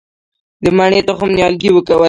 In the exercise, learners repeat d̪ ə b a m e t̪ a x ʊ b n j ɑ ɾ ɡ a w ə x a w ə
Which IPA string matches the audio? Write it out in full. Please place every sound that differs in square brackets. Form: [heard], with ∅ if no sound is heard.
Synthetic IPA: d̪ ə [m] a [ɳ] e t̪ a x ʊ [m] n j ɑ [l] ɡ [i] w ə [k] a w ə